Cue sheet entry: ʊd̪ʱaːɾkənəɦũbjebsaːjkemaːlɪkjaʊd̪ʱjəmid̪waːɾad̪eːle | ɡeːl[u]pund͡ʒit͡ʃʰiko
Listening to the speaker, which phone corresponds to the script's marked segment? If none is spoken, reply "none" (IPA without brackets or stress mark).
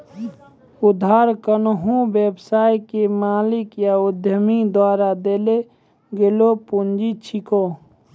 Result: o